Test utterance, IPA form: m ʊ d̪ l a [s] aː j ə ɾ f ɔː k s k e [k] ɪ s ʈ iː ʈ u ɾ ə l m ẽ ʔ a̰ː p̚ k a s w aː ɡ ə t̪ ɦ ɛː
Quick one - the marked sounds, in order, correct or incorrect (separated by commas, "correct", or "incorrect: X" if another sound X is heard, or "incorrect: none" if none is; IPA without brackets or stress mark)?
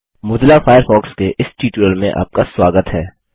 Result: incorrect: f, incorrect: ʔ